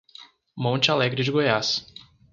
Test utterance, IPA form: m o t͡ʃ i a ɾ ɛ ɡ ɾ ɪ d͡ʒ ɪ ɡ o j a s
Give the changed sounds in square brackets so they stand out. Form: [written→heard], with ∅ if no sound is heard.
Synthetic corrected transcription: m [o→õ] t͡ʃ [i→ɪ] a [ɾ→l] ɛ ɡ ɾ ɪ d͡ʒ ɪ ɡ o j a s